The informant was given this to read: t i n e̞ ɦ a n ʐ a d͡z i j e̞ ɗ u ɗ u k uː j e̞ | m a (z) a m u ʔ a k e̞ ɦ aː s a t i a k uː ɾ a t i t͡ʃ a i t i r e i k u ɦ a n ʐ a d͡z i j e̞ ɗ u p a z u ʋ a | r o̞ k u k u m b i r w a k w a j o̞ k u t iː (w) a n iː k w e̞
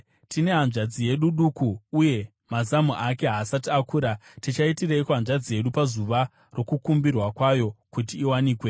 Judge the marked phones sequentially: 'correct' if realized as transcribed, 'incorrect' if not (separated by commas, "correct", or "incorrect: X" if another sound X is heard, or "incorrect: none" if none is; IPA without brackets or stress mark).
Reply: correct, correct